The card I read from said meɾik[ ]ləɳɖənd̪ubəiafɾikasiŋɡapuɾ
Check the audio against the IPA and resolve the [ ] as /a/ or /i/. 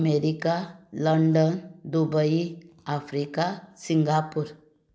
a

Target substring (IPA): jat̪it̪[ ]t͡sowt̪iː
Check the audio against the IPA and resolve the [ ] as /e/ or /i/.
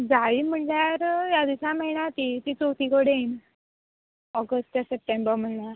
i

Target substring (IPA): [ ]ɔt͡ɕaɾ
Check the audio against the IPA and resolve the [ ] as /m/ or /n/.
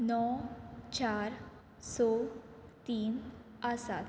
n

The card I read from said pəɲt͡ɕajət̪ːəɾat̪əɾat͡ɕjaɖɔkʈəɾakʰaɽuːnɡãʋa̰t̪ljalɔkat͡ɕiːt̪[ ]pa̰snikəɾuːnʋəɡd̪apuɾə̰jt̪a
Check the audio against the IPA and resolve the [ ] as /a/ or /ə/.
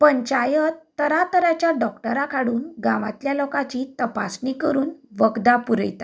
ə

